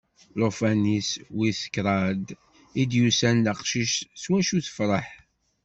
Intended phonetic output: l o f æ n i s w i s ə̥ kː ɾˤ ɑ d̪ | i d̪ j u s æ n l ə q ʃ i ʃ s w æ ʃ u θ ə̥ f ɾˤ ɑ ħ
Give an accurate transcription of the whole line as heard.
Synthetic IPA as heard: l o f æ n i s w i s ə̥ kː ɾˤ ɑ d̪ | i d̪ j u s æ n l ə q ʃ i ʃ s w æ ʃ u θ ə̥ f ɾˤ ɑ ħ